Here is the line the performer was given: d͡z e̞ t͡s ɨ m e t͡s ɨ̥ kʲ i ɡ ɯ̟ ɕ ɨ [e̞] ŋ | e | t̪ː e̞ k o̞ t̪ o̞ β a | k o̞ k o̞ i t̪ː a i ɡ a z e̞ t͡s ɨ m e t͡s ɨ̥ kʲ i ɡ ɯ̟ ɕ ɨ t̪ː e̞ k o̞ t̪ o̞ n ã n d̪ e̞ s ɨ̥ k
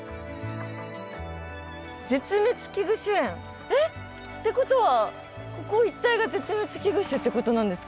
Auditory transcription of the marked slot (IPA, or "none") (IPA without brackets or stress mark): ẽ̞